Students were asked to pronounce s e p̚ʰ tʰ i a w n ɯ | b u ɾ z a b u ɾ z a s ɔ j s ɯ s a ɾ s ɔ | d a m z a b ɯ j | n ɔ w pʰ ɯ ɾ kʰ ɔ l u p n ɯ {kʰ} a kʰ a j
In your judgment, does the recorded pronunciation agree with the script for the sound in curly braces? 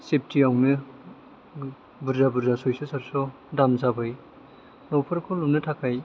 no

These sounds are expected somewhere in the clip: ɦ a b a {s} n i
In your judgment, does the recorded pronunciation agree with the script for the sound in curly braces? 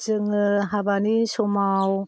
no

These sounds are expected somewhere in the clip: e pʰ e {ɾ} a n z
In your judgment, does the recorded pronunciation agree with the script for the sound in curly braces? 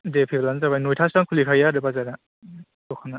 no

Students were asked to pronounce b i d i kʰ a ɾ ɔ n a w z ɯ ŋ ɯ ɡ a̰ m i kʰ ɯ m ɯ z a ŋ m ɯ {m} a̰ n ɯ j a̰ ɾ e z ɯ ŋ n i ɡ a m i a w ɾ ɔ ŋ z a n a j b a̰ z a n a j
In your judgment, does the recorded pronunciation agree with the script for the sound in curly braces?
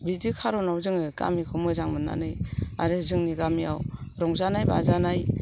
no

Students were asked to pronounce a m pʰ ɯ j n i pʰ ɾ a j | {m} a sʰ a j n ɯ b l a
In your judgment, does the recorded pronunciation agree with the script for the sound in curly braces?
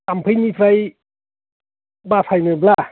no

